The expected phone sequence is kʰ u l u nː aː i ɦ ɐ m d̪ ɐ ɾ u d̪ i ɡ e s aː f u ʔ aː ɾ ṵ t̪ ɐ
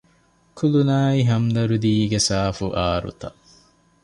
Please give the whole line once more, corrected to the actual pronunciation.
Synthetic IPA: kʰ u l u n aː i ɦ ɐ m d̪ ɐ ɾ u d̪ iː ɡ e s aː f u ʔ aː ɾ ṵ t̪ ɐ